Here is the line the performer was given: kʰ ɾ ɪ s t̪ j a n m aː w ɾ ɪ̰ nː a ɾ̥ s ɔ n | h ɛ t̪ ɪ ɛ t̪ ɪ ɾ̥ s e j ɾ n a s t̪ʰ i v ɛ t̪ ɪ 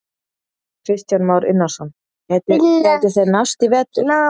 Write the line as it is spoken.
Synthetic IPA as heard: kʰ ɾ ɪ s t̪ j a n m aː w ɾ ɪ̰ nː a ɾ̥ s ɔ n | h ɛ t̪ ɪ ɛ t̪ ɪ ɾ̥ θ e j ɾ n a s t̪ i v ɛ t̪ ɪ